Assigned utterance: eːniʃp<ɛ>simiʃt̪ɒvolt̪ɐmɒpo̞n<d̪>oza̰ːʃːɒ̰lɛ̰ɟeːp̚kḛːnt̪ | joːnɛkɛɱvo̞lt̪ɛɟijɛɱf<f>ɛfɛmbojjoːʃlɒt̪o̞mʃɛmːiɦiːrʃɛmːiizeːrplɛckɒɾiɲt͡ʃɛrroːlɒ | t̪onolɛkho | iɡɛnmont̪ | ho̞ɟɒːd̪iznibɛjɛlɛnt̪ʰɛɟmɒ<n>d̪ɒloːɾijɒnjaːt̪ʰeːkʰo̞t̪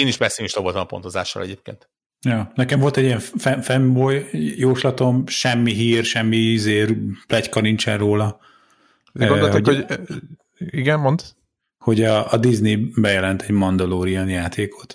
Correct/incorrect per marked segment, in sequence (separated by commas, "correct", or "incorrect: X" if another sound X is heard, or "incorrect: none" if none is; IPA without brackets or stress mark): correct, incorrect: t̪, correct, correct